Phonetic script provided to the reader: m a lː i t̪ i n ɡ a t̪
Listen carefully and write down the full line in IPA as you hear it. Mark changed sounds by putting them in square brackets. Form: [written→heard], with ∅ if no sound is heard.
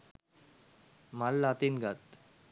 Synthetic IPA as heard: m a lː [i→a] t̪ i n ɡ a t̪